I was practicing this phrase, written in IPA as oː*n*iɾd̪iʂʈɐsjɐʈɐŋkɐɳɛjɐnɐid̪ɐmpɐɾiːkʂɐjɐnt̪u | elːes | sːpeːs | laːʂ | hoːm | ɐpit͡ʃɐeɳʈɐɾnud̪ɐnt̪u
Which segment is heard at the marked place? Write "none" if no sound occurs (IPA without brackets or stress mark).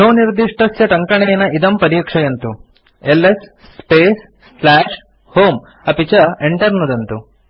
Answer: n